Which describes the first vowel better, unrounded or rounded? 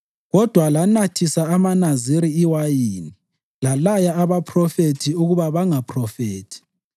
rounded